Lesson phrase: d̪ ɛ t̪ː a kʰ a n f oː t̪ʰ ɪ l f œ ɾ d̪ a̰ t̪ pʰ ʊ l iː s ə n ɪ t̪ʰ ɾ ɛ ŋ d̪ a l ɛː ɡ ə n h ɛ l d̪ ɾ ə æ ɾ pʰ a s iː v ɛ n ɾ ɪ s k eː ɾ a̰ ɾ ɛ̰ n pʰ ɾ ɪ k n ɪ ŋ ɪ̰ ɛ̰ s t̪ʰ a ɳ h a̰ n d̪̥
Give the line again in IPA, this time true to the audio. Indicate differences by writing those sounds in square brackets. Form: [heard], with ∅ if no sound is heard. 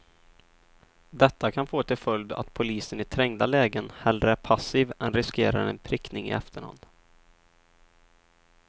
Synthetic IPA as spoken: d̪ ɛ t̪ː a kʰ a n f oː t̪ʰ ɪ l f œ [l] d̪ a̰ t̪ pʰ ʊ l iː s ə n ɪ t̪ʰ ɾ ɛ ŋ d̪ a l ɛː ɡ ə n h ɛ l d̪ ɾ ə æ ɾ pʰ a s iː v ɛ n ɾ ɪ s k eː ɾ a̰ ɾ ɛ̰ n pʰ ɾ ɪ k n ɪ ŋ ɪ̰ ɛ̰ [f] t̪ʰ [ə] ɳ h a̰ n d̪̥

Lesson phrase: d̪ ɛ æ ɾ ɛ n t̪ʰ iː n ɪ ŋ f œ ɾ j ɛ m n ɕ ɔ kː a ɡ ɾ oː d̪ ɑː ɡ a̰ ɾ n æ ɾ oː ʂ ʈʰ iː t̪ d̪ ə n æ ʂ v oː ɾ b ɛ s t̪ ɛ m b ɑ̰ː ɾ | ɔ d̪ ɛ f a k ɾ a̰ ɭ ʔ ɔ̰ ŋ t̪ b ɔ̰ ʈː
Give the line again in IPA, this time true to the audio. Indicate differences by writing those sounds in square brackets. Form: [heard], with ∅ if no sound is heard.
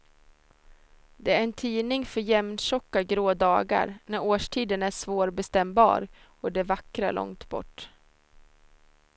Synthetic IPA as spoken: d̪ ɛ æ ɾ ɛ n t̪ʰ iː n ɪ ŋ f œ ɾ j ɛ m n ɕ ɔ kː a ɡ ɾ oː d̪ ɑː ɡ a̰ ɾ n æ ɾ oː ʂ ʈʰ iː [∅] d̪ ə n æ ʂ v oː ɾ b ɛ s t̪ ɛ m b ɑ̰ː ɾ | ɔ d̪ ɛ [v] a k ɾ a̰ ɭ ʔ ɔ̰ ŋ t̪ b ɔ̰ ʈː

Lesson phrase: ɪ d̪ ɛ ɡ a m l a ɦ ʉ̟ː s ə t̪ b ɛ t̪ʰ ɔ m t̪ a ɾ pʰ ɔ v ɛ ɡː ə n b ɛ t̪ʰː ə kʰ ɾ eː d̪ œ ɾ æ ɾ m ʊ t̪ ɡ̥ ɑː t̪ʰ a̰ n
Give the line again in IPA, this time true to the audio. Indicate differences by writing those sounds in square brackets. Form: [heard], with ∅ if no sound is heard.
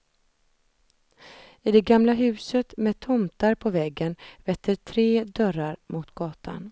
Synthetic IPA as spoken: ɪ d̪ ɛ ɡ a m l a ɦ ʉ̟ː s ə t̪ [m] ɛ t̪ʰ ɔ m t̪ a ɾ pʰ ɔ v ɛ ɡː ə n [v] ɛ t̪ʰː ə [ʈʰ] ɾ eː d̪ œ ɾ [a] ɾ m ʊ t̪ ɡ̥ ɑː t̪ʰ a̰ n

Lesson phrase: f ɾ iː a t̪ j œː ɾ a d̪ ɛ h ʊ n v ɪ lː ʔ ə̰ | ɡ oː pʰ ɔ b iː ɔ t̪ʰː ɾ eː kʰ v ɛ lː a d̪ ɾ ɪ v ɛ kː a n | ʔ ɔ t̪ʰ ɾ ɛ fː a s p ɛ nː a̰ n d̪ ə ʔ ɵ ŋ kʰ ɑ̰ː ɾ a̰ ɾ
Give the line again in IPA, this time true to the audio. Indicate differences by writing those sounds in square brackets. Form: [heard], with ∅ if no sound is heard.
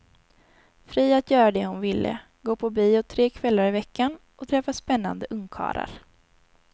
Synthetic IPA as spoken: f ɾ iː a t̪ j œː ɾ a d̪ ɛ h ʊ n v ɪ lː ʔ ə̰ | ɡ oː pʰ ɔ b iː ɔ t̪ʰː ɾ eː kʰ v ɛ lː a [∅] ɾ ɪ v ɛ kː a n | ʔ ɔ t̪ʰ ɾ ɛ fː a s p ɛ nː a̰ n d̪ ə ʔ ɵ ŋ kʰ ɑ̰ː ɾ a̰ ɾ

